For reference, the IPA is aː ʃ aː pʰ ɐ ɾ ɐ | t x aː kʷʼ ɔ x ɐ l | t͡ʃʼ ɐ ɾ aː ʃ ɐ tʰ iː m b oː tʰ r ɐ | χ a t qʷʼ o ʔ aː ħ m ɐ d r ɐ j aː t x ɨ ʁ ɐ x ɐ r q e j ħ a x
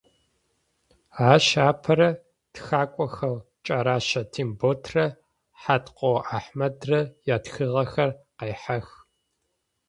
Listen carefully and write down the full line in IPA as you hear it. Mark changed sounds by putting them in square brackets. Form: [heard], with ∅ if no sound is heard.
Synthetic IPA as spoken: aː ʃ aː pʰ ɐ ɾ ɐ | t x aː kʷʼ ɔ x ɐ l | t͡ʃʼ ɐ ɾ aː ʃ ɐ tʰ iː m b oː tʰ r ɐ | [ħ] a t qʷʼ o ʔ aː ħ m ɐ d r ɐ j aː t x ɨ ʁ ɐ x ɐ r q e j ħ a x